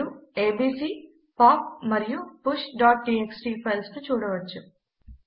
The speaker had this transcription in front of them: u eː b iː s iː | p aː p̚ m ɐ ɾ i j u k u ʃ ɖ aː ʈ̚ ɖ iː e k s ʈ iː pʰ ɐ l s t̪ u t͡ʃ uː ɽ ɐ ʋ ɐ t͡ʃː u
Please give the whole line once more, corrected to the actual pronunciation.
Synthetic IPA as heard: u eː b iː s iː | p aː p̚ m ɐ ɾ i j u p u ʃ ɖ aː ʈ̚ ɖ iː e k s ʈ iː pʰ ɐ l s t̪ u t͡ʃ uː ɽ ɐ ʋ ɐ t͡ʃː u